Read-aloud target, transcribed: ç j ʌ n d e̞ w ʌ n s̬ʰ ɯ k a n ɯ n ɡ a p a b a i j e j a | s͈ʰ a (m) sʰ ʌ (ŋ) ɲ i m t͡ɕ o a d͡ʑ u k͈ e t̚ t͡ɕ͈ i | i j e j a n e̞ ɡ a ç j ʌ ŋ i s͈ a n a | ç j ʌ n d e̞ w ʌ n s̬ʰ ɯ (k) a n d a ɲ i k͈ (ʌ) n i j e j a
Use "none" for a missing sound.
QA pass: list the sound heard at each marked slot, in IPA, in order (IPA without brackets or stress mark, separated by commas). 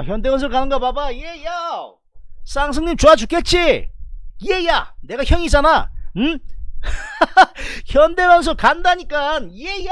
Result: ŋ, ŋ, k, a